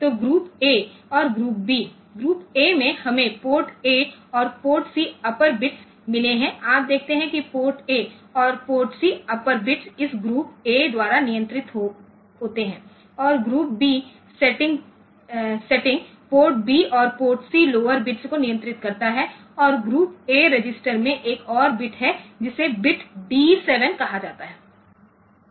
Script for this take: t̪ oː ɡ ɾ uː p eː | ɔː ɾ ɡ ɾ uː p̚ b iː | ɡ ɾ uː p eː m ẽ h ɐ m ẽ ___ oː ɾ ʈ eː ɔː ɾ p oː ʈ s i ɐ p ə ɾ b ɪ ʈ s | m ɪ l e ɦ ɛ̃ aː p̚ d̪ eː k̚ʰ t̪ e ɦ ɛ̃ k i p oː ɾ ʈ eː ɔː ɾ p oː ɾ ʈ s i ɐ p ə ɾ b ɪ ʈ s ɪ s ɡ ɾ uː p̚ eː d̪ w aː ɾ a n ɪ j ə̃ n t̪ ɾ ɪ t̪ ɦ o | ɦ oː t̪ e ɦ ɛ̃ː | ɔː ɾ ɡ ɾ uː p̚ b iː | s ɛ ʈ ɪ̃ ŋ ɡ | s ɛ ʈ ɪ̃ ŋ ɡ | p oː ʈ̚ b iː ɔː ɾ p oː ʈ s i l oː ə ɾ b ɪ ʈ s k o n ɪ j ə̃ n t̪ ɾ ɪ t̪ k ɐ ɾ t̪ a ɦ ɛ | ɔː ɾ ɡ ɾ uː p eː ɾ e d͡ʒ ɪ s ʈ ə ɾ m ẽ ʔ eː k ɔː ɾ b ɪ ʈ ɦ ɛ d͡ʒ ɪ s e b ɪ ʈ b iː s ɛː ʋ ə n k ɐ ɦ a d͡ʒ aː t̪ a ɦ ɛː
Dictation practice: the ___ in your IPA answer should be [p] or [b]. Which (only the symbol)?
p